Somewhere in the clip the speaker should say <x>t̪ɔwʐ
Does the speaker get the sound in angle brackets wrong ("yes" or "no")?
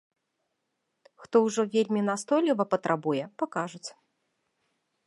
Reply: no